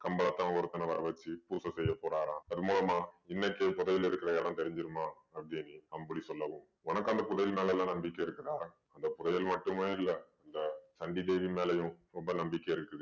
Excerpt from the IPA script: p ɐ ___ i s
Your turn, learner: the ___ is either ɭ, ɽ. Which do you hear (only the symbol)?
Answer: ɽ